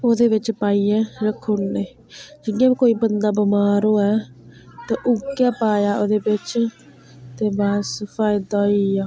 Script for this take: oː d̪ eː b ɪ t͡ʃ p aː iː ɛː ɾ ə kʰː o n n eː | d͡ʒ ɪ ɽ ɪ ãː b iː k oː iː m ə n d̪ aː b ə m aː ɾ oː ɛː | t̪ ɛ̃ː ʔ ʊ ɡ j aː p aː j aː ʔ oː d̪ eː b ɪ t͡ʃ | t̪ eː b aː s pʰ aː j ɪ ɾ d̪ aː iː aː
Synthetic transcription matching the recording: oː d̪ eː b ɪ t͡ʃ p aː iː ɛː ɾ ə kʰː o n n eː | d͡ʒ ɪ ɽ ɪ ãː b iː k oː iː b ə n d̪ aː b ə m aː ɾ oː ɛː | t̪ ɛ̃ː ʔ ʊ ɡ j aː p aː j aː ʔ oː d̪ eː b ɪ t͡ʃ | t̪ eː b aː s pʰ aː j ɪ d̪ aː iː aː